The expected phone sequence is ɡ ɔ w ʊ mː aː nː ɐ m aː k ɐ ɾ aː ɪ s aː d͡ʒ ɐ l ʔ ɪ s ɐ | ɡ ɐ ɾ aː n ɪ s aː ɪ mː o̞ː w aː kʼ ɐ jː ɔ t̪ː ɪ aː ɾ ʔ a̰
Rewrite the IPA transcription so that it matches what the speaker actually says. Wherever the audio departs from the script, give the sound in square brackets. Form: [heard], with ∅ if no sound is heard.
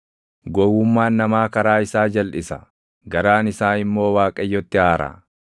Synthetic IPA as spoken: ɡ ɔ w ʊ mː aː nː ɐ m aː k ɐ ɾ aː ɪ s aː d͡ʒ ɐ l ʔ ɪ s ɐ | ɡ ɐ ɾ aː n ɪ s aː ɪ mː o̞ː w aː kʼ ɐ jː ɔ t̪ː ɪ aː ɾ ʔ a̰